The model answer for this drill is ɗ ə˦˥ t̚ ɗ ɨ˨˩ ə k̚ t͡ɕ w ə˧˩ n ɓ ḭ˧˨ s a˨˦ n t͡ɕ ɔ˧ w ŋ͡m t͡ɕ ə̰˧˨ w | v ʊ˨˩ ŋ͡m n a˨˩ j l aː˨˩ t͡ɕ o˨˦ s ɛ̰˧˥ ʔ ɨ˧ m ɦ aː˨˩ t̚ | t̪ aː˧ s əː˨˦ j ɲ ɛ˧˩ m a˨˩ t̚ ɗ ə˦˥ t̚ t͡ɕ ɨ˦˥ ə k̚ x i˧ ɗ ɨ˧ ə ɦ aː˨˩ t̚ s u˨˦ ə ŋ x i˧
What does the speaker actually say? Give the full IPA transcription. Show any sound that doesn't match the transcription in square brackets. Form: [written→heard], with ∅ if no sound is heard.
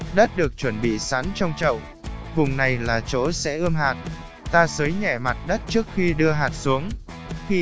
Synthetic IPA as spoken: ɗ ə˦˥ t̚ ɗ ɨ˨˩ ə k̚ t͡ɕ w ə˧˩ n ɓ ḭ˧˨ s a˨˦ n t͡ɕ ɔ˧ w ŋ͡m t͡ɕ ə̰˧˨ w | v ʊ˨˩ ŋ͡m n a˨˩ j l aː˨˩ t͡ɕ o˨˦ s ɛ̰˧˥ ʔ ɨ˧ m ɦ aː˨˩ t̚ | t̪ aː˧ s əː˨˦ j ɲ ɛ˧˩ m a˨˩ t̚ ɗ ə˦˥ t̚ t͡ɕ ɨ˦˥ ə k̚ x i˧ ɗ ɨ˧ ə ɦ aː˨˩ t̚ s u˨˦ ə ŋ x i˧